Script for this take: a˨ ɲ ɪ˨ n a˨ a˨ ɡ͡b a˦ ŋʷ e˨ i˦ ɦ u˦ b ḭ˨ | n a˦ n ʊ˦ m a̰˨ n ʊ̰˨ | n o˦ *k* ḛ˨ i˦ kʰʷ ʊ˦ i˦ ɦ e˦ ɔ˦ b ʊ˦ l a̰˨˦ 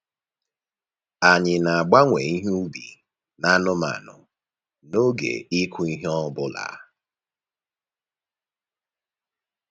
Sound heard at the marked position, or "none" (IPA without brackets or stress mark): ɡ